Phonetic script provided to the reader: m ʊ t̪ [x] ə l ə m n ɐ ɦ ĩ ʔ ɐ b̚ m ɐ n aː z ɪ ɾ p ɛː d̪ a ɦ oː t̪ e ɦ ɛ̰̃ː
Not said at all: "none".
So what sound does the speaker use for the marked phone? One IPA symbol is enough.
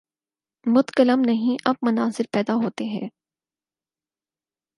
k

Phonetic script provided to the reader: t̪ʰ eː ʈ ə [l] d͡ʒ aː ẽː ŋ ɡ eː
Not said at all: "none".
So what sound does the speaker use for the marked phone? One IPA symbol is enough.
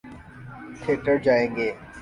ɾ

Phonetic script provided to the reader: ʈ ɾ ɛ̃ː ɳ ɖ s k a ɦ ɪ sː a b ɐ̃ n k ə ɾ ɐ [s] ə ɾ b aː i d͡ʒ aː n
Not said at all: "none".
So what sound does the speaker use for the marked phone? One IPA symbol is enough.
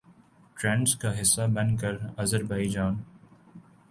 z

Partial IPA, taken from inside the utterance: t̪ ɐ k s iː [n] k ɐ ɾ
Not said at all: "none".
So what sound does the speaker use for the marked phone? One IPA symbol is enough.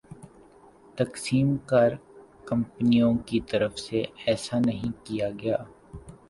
m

